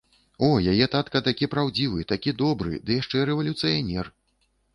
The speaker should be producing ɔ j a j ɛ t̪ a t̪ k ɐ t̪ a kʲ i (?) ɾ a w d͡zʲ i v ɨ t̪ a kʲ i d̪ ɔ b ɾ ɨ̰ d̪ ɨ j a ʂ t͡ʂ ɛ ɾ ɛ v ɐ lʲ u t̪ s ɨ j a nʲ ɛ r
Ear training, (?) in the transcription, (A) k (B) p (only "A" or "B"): B